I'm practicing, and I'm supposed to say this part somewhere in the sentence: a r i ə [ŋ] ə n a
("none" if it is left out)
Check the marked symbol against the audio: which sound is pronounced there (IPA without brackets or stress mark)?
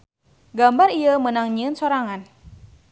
m